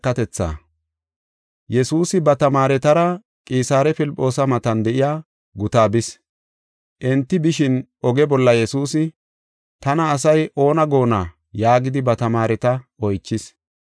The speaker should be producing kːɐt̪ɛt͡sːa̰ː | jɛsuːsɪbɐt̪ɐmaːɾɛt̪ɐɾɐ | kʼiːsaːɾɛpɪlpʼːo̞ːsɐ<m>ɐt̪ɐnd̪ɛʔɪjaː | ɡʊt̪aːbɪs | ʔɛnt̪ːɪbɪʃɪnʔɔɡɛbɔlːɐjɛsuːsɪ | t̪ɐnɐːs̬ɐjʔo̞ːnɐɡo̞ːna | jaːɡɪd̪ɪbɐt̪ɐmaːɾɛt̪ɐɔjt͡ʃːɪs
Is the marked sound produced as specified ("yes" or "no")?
yes